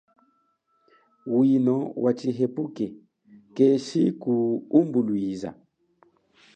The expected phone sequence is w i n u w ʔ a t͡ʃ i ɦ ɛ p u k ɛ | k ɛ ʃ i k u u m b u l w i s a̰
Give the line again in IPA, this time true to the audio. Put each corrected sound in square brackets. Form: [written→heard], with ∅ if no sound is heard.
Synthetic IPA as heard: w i n [u→ɔ] w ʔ a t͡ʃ i ɦ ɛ p u k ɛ | k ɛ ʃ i k u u m b u l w i [s→z] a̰